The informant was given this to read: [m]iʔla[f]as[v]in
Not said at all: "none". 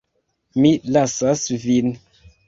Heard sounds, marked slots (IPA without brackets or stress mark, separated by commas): m, s, v